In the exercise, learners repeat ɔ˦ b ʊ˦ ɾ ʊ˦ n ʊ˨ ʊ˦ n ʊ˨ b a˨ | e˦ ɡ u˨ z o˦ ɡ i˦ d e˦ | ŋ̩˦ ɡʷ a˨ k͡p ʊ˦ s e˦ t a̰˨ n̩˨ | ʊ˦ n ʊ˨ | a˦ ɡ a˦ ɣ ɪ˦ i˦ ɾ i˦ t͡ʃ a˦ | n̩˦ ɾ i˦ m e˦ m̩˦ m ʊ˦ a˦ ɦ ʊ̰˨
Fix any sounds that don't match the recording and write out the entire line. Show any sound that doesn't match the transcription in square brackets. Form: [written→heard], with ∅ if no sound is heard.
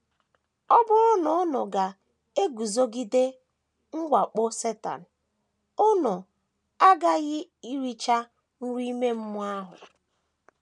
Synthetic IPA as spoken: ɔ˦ b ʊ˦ ɾ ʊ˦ n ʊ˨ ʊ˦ n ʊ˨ [b→ɡ] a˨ | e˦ ɡ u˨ z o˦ ɡ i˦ d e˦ | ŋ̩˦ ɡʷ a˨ k͡p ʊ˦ s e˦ t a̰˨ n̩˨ | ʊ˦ n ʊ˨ | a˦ ɡ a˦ ɣ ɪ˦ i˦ ɾ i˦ t͡ʃ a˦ | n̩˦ ɾ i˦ m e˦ m̩˦ m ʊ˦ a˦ ɦ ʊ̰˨

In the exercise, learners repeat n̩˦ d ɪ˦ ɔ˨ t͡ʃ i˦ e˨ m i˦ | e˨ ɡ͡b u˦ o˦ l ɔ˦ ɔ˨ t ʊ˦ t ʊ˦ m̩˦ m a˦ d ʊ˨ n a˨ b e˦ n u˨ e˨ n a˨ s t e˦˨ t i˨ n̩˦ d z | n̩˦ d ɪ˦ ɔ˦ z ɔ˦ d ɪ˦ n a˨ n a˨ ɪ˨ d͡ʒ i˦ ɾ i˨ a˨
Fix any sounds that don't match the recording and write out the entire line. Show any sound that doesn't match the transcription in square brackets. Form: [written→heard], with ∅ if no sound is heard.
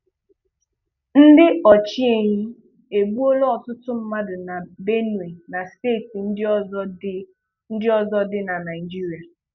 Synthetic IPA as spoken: n̩˦ d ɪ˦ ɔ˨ t͡ʃ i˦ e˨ [m→ɲ] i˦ | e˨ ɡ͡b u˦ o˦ l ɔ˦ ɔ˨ t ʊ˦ t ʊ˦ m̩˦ m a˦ d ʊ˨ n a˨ b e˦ n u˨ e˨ n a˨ s t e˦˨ t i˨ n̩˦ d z | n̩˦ d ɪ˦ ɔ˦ z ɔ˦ d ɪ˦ n a˨ n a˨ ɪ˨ d͡ʒ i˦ ɾ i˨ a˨

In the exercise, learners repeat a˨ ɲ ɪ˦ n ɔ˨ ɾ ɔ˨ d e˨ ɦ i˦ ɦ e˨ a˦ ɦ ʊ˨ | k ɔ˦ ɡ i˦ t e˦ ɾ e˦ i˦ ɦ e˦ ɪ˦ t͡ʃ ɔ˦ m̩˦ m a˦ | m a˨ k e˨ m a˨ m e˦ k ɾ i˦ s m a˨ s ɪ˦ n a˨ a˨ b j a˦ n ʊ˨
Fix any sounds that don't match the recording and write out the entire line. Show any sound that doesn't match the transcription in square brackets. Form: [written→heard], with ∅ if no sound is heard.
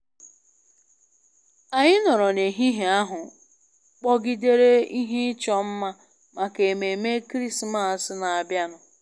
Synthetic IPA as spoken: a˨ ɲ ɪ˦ n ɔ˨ ɾ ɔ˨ [d→n] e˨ ɦ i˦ ɦ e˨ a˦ ɦ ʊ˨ | [k→k͡p] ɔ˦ ɡ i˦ [t→d] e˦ ɾ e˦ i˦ ɦ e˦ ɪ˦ t͡ʃ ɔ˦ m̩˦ m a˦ | m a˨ k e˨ m [a˨→e˨] m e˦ k ɾ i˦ s m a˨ s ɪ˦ n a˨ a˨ b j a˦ n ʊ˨

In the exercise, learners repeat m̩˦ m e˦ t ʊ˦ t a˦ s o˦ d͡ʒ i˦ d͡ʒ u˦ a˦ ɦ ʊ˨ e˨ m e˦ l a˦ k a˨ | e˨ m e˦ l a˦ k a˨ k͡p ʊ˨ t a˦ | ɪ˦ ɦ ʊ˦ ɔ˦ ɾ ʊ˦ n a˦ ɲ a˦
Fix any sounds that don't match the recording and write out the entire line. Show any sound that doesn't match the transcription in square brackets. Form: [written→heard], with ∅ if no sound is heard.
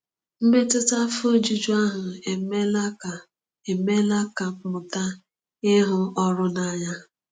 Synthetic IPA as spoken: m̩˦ m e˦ t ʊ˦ t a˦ [s→f] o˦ d͡ʒ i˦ d͡ʒ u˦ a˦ ɦ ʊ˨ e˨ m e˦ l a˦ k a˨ | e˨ m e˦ l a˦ k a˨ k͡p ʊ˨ t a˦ | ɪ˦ ɦ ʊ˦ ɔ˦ ɾ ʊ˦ n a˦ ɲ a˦

